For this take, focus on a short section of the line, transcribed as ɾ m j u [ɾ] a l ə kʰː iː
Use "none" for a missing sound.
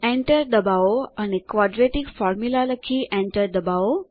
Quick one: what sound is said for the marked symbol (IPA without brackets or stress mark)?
l